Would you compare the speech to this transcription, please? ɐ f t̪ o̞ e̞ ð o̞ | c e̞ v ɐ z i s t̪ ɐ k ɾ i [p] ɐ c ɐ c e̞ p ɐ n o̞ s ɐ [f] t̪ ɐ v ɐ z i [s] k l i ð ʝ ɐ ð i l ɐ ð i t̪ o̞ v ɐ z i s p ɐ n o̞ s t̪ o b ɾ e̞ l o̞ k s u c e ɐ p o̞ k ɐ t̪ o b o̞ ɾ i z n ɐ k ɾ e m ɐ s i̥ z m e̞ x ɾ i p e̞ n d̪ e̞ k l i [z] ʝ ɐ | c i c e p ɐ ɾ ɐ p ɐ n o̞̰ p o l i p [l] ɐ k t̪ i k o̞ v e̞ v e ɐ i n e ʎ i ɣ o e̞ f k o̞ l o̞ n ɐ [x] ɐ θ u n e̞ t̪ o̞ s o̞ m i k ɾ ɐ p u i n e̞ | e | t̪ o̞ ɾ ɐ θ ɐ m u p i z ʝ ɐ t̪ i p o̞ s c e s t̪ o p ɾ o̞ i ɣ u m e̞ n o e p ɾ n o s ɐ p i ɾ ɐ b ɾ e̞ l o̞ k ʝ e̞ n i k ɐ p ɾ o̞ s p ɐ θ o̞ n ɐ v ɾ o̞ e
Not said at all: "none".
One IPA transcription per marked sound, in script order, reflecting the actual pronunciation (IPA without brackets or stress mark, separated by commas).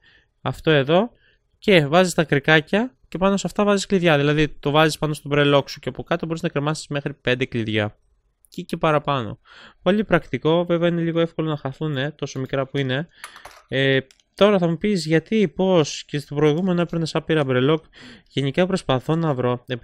k, f, s, ð, ɾ, x